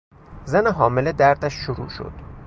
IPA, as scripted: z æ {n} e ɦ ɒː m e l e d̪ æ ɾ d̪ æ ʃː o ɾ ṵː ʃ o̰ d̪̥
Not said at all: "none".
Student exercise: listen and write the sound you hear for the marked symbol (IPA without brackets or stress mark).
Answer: n